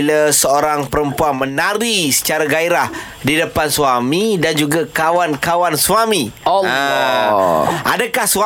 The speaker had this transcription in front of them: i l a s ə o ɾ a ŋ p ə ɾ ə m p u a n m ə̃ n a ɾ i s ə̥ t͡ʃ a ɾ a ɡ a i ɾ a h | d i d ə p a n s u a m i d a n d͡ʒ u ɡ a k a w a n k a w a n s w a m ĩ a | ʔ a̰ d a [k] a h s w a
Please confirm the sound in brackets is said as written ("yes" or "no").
yes